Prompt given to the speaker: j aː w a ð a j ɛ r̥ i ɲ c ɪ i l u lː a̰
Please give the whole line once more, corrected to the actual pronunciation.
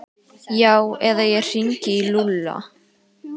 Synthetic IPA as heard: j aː w ɛ ð a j ɛ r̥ i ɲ c ɪ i l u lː a̰